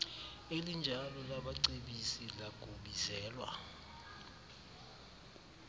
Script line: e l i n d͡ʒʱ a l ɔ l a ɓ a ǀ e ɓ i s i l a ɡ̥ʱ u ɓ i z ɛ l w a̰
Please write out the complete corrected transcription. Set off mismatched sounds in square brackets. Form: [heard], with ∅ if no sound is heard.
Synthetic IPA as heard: e l i n d͡ʒʱ a l ɔ l a ɓ a ǀ e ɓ i s i l a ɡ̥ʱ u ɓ i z [ɛː] l w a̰